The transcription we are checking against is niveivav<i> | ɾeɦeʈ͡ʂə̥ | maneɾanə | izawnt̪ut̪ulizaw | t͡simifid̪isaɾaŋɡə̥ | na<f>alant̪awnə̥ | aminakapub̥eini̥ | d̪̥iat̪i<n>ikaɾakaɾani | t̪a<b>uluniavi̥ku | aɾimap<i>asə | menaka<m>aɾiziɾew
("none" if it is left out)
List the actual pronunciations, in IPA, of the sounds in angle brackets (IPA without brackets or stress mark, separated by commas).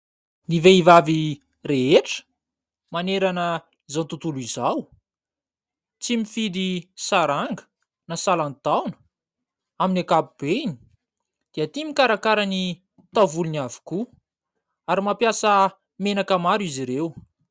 i, s, m, v, j, m